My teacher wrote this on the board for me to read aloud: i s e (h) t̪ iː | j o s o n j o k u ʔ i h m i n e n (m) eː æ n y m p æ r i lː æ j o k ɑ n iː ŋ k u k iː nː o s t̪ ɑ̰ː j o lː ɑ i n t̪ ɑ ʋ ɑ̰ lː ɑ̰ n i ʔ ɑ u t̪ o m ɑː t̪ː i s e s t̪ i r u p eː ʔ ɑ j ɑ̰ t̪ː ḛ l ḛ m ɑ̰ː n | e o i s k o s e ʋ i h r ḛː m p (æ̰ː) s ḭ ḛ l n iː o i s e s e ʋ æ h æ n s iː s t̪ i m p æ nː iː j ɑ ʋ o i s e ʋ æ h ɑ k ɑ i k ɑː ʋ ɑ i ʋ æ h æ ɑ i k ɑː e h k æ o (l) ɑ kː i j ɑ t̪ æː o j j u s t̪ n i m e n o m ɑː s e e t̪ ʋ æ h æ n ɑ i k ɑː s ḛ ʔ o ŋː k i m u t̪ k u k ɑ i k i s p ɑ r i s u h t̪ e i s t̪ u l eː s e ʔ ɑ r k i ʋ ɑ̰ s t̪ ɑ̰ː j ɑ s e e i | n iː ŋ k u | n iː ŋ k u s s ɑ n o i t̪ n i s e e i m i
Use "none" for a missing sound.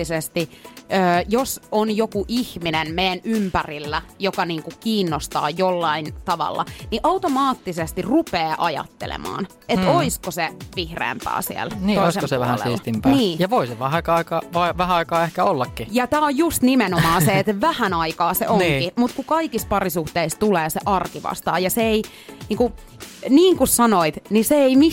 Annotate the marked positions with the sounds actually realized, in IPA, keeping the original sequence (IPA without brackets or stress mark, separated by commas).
s, m, æ̰ː, lː